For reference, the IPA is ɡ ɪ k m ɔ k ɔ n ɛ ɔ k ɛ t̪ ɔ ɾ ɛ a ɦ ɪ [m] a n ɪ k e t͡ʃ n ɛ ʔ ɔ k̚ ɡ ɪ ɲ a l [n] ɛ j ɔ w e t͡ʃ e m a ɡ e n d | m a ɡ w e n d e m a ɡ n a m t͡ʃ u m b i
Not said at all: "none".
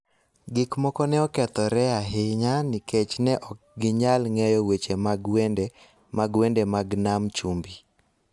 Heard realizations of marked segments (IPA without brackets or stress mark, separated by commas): ɲ, ŋ